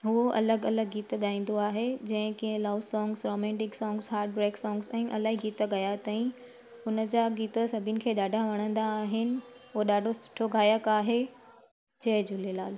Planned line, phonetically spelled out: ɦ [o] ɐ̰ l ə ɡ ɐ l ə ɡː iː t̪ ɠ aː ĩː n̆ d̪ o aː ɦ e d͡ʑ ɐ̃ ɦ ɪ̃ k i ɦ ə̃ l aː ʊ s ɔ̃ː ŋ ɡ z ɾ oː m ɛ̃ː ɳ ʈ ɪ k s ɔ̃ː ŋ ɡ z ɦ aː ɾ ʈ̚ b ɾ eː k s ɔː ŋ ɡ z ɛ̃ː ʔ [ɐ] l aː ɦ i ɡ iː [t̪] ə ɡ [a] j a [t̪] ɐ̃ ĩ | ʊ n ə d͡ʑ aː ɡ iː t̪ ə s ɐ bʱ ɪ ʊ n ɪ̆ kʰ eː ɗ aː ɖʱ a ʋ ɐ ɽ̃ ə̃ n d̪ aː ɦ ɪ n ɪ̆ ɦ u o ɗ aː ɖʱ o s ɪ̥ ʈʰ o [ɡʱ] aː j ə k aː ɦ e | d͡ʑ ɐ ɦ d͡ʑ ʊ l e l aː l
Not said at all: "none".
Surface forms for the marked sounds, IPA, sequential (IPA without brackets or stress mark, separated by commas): u, ɐ, t̪, ɐ, t̪, ɡʱ